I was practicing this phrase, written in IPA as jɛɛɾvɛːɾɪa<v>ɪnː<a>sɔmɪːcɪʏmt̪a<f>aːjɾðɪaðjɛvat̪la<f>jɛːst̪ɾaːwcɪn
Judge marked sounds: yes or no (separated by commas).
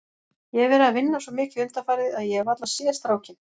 yes, yes, yes, no